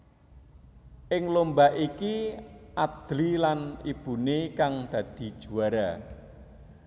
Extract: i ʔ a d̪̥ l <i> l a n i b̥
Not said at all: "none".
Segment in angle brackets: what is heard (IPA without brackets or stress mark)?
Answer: i